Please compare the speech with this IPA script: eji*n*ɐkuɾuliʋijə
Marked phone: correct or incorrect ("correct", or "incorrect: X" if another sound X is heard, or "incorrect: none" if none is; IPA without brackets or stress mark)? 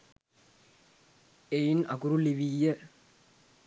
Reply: correct